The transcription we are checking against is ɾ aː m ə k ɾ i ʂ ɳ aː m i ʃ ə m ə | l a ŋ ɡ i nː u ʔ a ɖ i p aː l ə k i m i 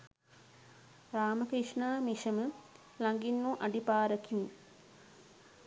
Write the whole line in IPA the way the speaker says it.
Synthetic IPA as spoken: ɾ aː m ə k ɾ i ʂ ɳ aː m i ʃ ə m ə | l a ŋ ɡ i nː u ʔ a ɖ i p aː ɾ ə k i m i